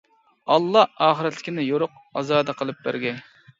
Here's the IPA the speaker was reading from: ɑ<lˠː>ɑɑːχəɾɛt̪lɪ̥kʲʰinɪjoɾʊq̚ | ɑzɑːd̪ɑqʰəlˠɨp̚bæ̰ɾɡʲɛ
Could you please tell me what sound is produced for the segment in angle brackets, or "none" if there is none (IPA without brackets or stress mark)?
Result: lˠː